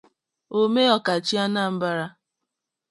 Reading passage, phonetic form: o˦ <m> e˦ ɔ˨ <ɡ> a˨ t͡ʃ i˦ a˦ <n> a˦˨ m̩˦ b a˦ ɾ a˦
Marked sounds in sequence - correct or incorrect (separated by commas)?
correct, incorrect, correct